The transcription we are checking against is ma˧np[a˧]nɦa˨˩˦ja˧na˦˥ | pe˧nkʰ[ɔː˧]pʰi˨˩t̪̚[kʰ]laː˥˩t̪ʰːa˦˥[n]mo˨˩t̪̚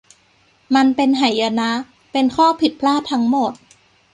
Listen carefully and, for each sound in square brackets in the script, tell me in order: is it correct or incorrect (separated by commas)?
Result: incorrect, incorrect, incorrect, incorrect